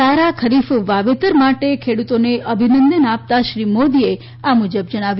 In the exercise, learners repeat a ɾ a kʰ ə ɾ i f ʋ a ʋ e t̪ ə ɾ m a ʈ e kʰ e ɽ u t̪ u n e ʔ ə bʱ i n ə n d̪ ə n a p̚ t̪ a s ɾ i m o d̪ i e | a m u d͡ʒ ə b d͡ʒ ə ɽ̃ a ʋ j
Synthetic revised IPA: a ɾ a kʰ ə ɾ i f ʋ a ʋ e t̪ ə ɾ m a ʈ e kʰ e ɽ u t̪ o n e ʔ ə bʱ i n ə n d̪ ə n a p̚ t̪ a ʃ ɾ i m o d̪ i e | a m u d͡ʒ ə b d͡ʒ ə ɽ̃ a ʋ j